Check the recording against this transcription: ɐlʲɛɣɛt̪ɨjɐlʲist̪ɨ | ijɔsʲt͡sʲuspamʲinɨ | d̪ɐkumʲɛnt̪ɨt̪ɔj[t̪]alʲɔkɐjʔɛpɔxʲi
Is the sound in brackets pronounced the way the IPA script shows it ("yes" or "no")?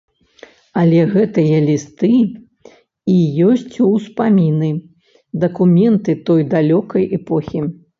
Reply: no